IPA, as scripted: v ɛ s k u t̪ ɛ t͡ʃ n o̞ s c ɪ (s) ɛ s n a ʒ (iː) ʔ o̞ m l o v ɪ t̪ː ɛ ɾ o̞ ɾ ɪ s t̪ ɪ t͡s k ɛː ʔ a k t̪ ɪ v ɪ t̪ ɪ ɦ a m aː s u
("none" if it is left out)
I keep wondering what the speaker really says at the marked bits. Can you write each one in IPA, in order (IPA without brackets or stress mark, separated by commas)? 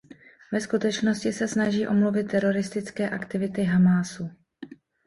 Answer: s, iː